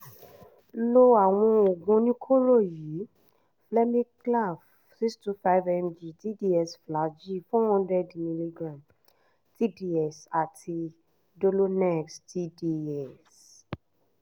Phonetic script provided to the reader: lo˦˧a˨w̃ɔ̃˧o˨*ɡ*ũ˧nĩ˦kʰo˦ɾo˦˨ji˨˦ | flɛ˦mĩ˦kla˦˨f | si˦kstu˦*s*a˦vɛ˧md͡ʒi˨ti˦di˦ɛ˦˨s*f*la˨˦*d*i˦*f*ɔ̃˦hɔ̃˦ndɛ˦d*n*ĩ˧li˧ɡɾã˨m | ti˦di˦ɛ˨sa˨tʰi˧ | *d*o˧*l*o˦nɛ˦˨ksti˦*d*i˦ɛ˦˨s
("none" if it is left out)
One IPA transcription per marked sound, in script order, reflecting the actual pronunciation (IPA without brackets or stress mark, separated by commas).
ɡ, f, f, d͡ʒ, f, m, d, l, d